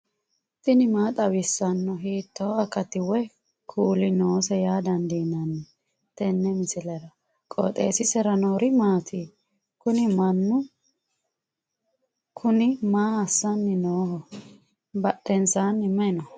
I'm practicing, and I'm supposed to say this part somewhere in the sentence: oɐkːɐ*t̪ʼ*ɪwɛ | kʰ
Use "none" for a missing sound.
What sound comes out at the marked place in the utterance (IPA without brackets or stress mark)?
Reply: t̪